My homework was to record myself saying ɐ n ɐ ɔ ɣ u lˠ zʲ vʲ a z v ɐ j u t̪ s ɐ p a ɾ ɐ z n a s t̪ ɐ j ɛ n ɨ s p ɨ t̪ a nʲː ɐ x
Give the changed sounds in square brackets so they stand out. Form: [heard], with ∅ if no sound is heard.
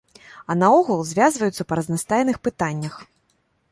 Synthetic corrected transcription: ɐ n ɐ ɔ ɣ u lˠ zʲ vʲ a z v ɐ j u t̪ s ɐ p [ɐ] ɾ ɐ z n a s t̪ [a] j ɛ n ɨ [x] p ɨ t̪ a nʲː ɐ x